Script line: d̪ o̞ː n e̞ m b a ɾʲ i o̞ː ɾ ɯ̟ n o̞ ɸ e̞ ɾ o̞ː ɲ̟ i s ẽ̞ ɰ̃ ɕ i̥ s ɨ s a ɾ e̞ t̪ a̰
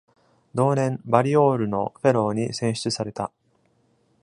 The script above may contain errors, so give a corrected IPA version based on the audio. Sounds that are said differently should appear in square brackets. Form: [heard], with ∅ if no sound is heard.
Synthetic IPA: d̪ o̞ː n [ẽ̞] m b a ɾʲ i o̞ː ɾ ɯ̟ n o̞ ɸ e̞ ɾ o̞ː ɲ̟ i s ẽ̞ ɰ̃ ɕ i̥ [t͡s] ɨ s a ɾ e̞ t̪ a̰